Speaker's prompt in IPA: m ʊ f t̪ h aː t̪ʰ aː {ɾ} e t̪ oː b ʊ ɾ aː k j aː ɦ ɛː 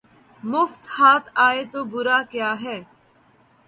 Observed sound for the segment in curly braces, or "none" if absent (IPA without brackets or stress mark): none